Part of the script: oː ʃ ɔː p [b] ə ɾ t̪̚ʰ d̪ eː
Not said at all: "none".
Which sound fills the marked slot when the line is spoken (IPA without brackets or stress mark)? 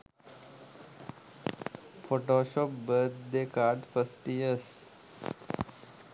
b